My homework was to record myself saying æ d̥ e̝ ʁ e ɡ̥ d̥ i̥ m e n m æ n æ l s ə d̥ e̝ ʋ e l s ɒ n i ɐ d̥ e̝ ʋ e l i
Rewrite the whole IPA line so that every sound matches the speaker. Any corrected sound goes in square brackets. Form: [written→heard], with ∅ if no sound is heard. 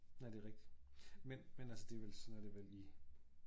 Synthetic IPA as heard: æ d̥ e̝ ʁ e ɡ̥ d̥ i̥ m e n m [æ→e] n æ l s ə d̥ e̝ ʋ e l s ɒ n [i→æ] ɐ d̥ e̝ ʋ e l i